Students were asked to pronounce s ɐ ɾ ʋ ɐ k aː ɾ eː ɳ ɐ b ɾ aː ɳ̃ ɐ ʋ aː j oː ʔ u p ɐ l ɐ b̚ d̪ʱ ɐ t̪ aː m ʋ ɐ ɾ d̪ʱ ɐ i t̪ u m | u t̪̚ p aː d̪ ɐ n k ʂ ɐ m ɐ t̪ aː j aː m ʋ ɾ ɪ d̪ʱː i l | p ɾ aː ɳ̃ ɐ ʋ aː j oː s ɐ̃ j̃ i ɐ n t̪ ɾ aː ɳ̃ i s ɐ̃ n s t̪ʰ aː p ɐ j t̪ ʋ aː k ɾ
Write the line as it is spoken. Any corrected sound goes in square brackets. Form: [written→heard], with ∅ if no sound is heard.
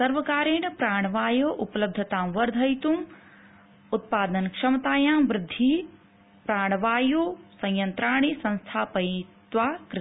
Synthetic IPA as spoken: s ɐ ɾ ʋ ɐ k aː ɾ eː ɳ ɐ [b→p] ɾ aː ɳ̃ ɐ ʋ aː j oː ʔ u p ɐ l ɐ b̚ d̪ʱ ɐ t̪ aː m ʋ ɐ ɾ d̪ʱ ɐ [i→j] t̪ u m | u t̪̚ p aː d̪ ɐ n k ʂ ɐ m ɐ t̪ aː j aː m ʋ ɾ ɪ d̪ʱː i [l→∅] | p ɾ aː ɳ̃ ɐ ʋ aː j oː s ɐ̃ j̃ [i→j] ɐ n t̪ ɾ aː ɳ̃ i s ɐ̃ n s t̪ʰ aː p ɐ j t̪ ʋ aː k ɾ